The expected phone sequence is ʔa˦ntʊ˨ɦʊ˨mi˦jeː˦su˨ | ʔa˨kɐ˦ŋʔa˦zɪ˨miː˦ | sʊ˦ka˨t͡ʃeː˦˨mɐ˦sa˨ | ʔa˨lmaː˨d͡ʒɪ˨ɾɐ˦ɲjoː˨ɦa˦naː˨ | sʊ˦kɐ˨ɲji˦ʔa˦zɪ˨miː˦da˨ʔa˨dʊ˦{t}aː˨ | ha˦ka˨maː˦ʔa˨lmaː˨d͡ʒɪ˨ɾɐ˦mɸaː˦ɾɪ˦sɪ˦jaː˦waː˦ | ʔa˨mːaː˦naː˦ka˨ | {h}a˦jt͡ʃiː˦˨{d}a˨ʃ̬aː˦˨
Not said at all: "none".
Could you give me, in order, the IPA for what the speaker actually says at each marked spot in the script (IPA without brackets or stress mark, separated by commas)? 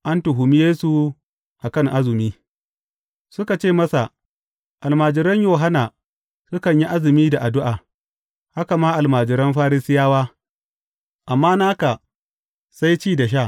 ʔ, s, d